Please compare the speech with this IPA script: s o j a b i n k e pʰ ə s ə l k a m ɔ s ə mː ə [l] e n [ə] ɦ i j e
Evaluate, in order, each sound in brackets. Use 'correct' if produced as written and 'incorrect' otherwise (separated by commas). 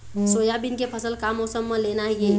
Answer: correct, incorrect